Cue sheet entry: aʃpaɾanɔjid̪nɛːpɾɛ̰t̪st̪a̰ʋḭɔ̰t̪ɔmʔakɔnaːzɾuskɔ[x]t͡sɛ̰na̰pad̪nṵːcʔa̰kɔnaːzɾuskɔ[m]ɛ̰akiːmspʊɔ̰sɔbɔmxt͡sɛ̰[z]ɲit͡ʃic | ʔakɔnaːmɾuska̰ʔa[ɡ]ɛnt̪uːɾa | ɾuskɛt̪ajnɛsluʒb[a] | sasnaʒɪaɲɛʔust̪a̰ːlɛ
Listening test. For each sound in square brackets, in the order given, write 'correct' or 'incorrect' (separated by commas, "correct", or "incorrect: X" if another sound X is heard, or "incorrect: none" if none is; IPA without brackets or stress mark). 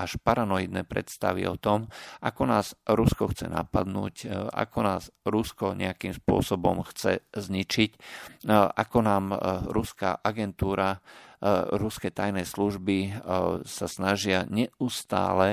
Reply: correct, incorrect: ɲ, correct, correct, incorrect: i